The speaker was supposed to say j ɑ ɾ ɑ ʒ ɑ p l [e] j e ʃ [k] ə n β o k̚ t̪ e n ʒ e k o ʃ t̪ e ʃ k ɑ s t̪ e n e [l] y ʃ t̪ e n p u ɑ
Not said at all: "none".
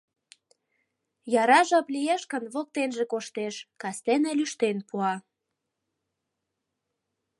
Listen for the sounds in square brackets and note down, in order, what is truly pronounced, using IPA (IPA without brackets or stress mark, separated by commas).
i, k, l